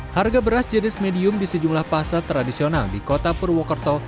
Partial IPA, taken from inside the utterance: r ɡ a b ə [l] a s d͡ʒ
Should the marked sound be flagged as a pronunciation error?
yes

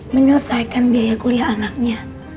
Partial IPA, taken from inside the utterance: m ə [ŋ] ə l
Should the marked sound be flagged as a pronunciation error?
yes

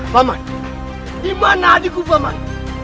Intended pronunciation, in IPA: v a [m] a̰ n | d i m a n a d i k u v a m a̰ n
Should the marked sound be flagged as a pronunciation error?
no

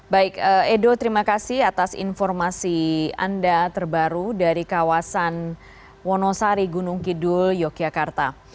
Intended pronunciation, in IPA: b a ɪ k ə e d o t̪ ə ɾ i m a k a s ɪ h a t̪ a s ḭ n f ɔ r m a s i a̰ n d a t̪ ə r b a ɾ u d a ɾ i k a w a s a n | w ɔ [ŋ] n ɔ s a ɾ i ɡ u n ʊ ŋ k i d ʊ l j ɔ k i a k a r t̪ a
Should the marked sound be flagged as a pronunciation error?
yes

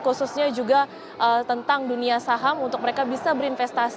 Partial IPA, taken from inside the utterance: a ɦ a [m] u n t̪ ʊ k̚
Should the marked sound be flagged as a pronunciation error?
no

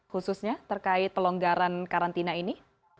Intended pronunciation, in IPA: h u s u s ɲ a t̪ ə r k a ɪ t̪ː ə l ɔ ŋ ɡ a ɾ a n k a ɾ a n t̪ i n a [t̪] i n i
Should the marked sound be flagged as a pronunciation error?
yes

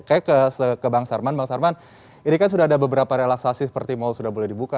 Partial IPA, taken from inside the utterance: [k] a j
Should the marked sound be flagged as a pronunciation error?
no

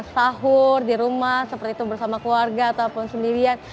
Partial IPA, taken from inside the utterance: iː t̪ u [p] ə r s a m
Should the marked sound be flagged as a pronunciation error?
yes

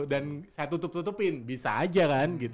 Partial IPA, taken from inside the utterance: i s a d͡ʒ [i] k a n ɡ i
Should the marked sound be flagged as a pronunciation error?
yes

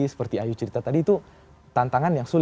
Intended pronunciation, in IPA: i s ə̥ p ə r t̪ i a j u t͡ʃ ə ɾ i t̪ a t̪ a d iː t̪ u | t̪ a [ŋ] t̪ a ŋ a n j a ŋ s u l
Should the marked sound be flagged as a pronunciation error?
yes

